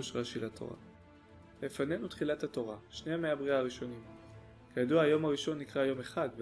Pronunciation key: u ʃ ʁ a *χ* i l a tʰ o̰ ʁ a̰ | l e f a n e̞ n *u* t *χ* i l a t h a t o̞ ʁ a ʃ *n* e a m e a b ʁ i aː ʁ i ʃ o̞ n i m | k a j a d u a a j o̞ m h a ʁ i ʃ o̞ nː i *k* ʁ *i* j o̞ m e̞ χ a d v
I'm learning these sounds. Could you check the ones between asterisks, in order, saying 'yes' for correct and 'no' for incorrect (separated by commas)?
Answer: no, yes, yes, yes, yes, no